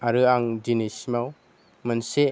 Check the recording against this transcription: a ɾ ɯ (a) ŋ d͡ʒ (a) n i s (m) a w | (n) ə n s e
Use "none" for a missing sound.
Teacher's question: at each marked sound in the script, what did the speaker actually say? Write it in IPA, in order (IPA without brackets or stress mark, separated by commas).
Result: a, i, m, m